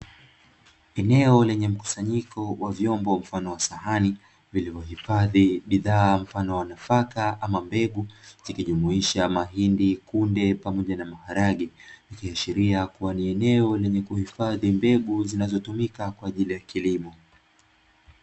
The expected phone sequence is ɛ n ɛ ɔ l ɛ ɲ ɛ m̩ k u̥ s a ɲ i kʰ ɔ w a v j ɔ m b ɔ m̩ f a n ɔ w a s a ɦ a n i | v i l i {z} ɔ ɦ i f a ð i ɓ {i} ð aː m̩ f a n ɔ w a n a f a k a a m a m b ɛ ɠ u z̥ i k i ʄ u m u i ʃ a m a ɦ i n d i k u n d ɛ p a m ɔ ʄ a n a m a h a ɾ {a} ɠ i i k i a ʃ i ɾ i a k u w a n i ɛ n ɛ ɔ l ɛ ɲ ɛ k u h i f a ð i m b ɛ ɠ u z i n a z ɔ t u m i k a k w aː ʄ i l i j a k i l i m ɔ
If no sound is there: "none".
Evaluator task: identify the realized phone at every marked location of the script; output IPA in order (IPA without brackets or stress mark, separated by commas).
v, i, a